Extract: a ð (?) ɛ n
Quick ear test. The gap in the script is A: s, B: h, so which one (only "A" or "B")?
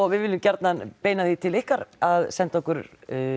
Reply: A